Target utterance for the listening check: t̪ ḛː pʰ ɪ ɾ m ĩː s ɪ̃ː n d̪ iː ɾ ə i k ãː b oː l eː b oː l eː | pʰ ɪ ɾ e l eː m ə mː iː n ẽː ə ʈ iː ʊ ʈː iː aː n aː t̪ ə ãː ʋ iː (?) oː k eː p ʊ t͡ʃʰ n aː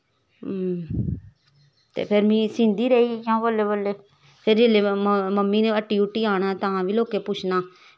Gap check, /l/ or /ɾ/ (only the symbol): l